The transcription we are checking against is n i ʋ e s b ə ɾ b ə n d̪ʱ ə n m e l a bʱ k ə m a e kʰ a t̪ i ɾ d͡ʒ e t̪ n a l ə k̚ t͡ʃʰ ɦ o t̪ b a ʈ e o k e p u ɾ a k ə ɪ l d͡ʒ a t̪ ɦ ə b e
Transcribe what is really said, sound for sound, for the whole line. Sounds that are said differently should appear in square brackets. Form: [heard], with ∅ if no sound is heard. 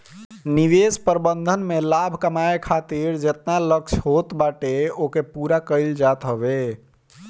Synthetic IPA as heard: n i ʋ e s [p] ə ɾ b ə n d̪ʱ ə n m e l a bʱ k ə m a e kʰ a t̪ i ɾ d͡ʒ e t̪ n a l ə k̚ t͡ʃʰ ɦ o t̪ b a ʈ e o k e p u ɾ a k ə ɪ l d͡ʒ a t̪ ɦ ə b e